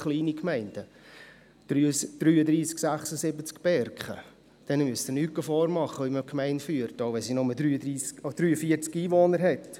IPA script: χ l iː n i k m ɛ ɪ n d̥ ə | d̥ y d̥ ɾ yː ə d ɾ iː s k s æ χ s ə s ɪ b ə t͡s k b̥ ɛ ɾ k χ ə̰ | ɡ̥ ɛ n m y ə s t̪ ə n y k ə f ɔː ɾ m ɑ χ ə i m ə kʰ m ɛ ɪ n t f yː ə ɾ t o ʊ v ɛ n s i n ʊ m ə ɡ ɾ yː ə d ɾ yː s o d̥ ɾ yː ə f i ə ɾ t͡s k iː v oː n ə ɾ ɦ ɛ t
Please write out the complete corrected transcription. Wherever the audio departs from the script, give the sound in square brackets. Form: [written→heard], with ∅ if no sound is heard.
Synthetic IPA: χ l iː n i k m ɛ ɪ n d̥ ə | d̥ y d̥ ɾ yː ə d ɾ iː s k s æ χ s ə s ɪ b ə t͡s k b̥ ɛ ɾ k χ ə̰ | [ɡ̥→d̥] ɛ n m y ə s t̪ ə n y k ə f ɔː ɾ m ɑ χ ə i m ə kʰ m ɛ ɪ n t f yː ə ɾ t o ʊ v ɛ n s i n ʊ m ə [ɡ→d] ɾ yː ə d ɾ [yː→iː] s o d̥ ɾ yː ə f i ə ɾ t͡s k iː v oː n ə ɾ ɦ ɛ t